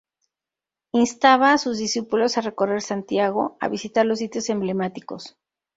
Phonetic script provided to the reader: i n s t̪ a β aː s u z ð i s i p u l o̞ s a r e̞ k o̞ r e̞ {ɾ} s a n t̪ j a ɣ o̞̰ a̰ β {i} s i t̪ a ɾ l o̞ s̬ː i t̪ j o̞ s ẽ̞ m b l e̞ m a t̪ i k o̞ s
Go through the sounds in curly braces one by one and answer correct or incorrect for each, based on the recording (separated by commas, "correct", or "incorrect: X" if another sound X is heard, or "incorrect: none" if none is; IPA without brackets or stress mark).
correct, correct